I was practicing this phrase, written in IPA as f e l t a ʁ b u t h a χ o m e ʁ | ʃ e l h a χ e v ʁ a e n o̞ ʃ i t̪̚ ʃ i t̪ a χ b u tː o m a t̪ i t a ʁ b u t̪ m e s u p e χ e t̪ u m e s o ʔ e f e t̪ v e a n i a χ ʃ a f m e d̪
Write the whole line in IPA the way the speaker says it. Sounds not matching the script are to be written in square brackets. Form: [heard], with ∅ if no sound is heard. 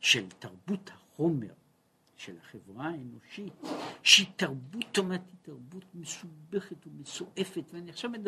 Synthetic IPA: [ʃ] e l t a ʁ b u t h a χ o m e ʁ | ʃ e l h a χ e v ʁ a e n o̞ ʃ i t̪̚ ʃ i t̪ a [ʁ] b u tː o m a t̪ i t a ʁ b u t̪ m e s u [b] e χ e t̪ u m e s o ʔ e f e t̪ v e a n i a χ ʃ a [v] m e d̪